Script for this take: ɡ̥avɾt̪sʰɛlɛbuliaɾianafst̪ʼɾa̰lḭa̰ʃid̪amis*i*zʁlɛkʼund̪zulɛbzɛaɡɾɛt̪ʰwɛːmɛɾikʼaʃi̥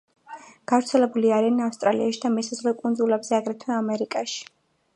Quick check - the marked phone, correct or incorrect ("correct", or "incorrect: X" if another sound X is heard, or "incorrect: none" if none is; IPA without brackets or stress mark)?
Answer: incorrect: a